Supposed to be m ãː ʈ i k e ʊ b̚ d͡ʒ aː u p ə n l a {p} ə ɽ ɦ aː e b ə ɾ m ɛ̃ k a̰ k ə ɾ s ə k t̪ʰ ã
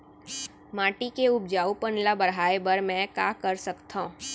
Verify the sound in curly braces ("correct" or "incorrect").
incorrect